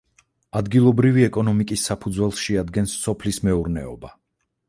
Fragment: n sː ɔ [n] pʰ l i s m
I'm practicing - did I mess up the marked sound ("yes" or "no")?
yes